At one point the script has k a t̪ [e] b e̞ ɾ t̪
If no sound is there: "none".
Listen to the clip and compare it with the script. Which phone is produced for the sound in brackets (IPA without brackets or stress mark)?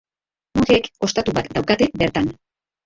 e